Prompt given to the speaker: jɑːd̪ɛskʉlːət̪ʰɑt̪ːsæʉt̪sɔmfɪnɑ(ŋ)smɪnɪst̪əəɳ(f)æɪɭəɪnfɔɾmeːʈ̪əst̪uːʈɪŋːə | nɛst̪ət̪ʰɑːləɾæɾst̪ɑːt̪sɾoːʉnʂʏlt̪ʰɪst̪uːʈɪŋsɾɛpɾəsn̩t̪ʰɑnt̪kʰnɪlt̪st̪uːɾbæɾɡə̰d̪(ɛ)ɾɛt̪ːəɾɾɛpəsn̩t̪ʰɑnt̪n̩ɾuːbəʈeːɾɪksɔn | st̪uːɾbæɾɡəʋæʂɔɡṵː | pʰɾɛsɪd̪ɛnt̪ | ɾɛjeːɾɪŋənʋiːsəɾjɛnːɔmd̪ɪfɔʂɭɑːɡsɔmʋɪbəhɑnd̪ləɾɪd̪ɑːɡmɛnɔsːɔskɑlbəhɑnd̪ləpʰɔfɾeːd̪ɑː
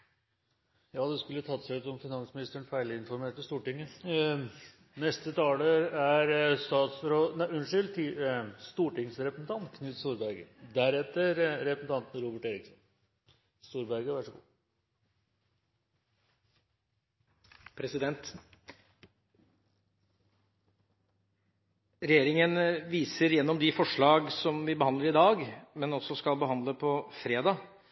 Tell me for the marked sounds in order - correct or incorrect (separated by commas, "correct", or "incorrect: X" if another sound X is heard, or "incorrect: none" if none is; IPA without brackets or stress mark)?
incorrect: n, correct, incorrect: æ